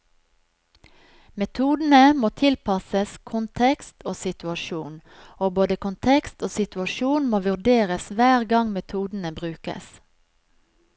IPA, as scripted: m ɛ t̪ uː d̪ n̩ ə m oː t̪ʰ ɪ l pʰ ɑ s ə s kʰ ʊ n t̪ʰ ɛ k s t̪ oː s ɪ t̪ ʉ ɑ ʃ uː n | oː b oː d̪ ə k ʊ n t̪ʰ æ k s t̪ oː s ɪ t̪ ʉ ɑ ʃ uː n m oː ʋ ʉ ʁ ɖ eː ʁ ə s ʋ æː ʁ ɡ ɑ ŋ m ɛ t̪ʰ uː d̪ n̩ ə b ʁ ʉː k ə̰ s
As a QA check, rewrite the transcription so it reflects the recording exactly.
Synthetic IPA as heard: m ɛ t̪ʰ uː d̪ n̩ ə m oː t̪ʰ ɪ l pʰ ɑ s ə s kʰ ʊ n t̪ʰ ɛ k s t̪ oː s ɪ t̪ ʉ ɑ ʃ uː n | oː b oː d̪ ə k ʊ n t̪ʰ ɛ k s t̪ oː s ɪ t̪ ʉ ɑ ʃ uː n m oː ʋ ʉ ʁ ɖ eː ʁ ə s ʋ æː ʁ ɡ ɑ ŋ m ɛ t̪ʰ uː d̪ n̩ ə b ʁ ʉː k ə̰ s